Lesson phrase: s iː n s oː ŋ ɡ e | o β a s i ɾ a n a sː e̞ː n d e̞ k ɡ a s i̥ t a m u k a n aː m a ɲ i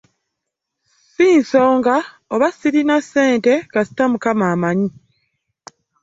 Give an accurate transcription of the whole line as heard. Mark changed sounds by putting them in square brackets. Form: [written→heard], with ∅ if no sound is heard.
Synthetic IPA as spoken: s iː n s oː ŋ ɡ [e→a] | o β a s i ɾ [a→i] n a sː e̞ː n [d→t] e̞ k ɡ a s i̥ t a m u k a [n→m] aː m a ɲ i